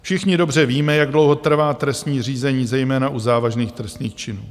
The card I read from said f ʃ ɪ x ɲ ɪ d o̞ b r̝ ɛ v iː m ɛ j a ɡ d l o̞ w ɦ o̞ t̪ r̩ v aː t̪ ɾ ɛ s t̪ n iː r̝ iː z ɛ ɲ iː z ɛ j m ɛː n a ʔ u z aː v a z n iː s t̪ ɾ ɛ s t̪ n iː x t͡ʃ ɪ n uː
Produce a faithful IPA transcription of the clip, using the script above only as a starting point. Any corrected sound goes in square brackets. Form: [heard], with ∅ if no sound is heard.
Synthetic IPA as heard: f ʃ ɪ x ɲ ɪ d o̞ b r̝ ɛ v iː m ɛ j a ɡ d l o̞ w ɦ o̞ t̪ r̩ v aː t̪ ɾ ɛ s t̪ [ɲ] iː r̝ iː z ɛ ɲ iː z ɛ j m ɛː n a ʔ u z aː v a [ʒ] n iː [x] t̪ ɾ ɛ s t̪ n iː x t͡ʃ ɪ n uː